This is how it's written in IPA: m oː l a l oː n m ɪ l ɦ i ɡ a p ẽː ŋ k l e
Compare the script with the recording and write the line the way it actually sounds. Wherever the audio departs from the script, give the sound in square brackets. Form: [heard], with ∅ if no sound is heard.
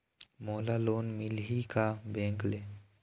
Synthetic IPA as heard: m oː l a l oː n m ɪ l ɦ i [k] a [b] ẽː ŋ k l e